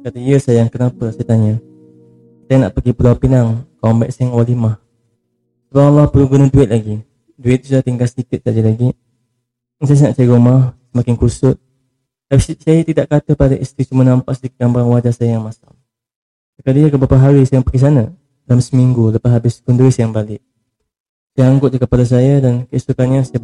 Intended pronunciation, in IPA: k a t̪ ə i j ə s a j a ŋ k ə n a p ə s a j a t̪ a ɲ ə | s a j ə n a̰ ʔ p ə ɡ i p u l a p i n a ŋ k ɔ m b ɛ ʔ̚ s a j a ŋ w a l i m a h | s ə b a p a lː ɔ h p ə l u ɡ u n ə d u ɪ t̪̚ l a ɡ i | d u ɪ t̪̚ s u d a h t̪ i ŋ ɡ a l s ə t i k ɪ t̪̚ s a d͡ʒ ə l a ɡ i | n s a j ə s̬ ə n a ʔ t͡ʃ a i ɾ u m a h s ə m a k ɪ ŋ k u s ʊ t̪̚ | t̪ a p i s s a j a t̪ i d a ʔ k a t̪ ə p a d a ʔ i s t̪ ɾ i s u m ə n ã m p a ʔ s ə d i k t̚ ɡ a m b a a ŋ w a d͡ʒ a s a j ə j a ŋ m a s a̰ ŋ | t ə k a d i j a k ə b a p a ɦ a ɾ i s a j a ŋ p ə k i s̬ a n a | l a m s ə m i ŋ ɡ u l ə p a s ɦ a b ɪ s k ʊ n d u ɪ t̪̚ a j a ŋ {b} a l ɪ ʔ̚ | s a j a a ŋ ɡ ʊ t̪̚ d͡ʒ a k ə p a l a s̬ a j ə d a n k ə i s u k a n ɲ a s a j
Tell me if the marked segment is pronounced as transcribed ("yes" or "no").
yes